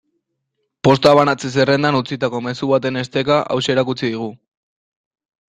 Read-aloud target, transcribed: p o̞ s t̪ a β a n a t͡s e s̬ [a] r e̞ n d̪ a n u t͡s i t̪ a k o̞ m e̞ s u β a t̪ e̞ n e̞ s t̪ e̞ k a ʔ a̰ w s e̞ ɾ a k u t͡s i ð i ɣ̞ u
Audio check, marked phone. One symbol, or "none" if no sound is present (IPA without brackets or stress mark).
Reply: e